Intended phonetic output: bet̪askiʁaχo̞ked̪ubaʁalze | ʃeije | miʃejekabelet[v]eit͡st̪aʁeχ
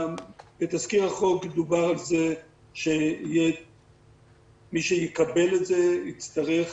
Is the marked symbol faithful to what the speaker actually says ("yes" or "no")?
no